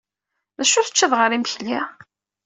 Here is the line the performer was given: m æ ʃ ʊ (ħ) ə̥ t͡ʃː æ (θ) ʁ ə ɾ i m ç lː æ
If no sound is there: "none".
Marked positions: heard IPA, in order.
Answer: θ, ð

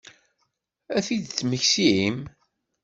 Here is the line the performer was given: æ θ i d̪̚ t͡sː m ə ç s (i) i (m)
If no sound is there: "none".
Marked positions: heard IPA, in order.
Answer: i, m

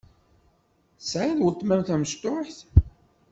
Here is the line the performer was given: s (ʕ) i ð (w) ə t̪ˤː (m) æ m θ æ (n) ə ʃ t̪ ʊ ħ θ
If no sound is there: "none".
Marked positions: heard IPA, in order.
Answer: ʕ, w, m, m

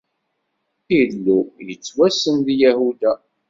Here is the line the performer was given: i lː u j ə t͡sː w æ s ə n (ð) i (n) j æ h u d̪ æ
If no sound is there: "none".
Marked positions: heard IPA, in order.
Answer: ð, none

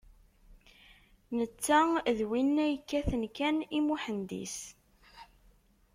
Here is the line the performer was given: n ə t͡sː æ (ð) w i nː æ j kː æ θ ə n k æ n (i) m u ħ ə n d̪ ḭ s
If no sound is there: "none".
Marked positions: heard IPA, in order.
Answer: ð, i

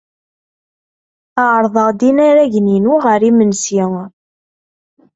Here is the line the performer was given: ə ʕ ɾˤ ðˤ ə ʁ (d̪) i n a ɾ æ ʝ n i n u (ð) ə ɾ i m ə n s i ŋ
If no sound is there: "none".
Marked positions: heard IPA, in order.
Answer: d̪, ʁ

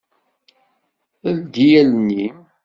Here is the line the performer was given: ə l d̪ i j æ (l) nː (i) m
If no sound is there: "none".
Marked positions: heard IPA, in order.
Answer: l, i

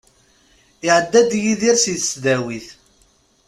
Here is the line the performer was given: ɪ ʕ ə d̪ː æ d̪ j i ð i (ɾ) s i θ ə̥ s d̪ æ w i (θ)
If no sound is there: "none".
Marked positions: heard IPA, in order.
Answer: ɾ, θ

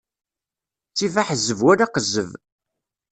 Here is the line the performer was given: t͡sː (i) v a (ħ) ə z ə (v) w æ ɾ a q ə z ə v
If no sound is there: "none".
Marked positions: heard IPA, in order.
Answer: i, ħ, v

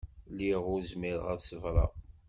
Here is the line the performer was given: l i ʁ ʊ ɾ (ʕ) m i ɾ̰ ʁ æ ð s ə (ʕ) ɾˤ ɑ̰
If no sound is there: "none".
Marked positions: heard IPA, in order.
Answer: z, v

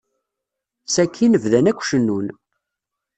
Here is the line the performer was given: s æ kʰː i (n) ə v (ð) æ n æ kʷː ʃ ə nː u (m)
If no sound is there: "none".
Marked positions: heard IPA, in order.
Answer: n, ð, n

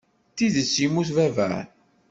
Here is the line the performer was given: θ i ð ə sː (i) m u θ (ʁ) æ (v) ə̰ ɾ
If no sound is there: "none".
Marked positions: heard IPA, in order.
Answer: i, v, v

